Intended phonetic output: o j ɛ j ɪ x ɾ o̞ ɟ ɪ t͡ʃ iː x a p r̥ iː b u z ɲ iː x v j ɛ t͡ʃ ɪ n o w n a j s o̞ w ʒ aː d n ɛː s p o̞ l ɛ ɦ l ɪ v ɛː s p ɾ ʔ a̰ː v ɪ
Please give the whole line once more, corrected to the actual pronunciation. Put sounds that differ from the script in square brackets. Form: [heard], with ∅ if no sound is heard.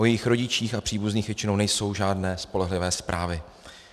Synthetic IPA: o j ɛ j ɪ x ɾ o̞ ɟ ɪ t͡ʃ iː x a p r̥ iː b u z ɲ iː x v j ɛ t͡ʃ ɪ n o w n [ɛ] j s o̞ w ʒ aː d n ɛː s p o̞ l ɛ ɦ l ɪ v ɛː s p ɾ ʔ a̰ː v ɪ